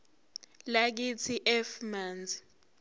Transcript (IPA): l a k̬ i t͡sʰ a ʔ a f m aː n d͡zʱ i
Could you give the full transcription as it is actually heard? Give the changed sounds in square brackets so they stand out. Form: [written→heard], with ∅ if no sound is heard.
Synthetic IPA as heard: l a k̬ i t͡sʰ [a→i] ʔ [a→ɛ] f m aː n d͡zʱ i